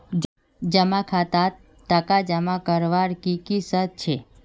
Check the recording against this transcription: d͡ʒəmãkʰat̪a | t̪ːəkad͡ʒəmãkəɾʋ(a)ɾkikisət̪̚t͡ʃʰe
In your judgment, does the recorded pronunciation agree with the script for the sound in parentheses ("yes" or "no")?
yes